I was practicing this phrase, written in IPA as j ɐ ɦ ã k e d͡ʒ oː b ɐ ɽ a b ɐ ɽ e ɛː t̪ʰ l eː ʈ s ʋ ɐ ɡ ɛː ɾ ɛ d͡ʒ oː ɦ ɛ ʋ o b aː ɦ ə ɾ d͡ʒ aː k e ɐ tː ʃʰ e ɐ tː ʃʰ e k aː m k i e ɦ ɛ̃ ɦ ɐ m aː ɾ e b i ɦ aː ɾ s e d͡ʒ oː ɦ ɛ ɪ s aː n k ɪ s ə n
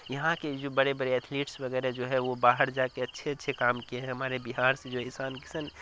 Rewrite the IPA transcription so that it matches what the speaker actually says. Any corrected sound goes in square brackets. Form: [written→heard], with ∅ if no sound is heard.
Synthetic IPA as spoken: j ɐ ɦ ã k e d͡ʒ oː b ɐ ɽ [a→e] b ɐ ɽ e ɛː t̪ʰ l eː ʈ s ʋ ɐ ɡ ɛː ɾ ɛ d͡ʒ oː ɦ ɛ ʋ o b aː ɦ ə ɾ d͡ʒ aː k e ɐ tː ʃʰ e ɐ tː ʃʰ e k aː m k i e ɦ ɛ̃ ɦ ɐ m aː ɾ e b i ɦ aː ɾ s e d͡ʒ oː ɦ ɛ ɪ s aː n k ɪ s ə n